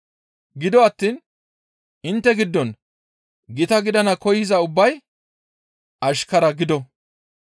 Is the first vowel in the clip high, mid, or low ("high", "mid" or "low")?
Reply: high